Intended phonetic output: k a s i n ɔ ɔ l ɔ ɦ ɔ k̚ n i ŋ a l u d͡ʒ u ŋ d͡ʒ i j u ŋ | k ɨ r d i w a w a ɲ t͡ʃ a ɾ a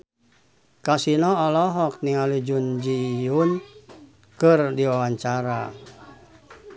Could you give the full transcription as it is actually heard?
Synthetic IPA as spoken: k a s i n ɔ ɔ l ɔ ɦ ɔ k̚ n i ŋ a l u d͡ʒ u n d͡ʒ i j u n | k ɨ r d i w a w a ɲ t͡ʃ a ɾ a